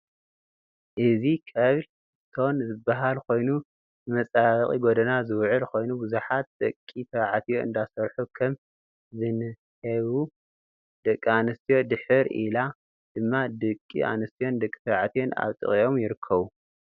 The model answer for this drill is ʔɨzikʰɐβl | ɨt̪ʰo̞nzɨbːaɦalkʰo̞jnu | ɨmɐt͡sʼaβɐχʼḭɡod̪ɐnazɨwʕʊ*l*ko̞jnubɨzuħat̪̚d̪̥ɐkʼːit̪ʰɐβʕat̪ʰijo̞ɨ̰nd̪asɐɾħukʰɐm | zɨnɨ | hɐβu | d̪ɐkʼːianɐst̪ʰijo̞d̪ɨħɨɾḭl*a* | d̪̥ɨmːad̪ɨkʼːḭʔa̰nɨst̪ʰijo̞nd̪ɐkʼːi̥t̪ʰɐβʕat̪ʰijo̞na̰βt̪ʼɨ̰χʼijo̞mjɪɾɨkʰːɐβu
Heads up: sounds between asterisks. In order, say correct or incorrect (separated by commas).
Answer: correct, correct